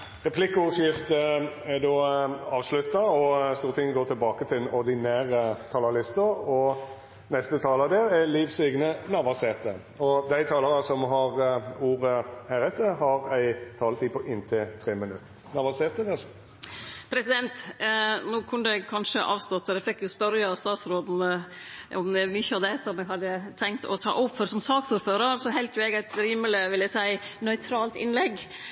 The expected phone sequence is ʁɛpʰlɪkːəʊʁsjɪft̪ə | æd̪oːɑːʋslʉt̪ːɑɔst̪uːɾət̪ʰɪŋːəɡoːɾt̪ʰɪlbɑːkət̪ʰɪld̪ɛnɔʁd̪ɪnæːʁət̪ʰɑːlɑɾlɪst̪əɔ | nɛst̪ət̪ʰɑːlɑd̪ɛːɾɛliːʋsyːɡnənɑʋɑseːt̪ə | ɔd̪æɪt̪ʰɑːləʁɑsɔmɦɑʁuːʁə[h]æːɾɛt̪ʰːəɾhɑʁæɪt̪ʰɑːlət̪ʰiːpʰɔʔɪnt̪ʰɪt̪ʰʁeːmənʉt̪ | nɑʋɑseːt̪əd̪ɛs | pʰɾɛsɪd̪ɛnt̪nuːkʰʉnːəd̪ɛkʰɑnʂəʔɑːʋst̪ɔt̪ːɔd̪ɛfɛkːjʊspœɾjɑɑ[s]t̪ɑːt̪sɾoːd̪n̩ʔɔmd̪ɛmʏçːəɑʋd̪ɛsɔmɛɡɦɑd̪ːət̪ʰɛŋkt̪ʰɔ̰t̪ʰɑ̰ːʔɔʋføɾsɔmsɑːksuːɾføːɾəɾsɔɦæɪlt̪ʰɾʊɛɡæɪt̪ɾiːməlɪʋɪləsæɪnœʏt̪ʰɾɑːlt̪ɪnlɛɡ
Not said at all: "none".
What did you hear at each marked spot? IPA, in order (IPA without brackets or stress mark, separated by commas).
h, s